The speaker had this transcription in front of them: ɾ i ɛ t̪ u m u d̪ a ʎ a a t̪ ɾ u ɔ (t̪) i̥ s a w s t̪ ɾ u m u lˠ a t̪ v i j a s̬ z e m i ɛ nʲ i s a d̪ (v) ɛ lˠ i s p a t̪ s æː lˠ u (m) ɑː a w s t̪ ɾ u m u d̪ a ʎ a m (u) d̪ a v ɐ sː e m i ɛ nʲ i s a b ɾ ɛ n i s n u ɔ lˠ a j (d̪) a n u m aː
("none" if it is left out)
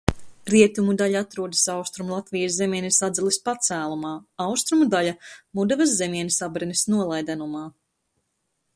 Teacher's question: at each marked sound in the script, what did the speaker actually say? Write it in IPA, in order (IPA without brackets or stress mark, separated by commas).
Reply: d̪, z, m, u, d̪